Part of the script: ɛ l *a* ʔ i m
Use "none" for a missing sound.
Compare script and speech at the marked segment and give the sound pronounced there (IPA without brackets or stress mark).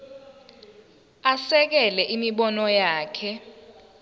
ɛ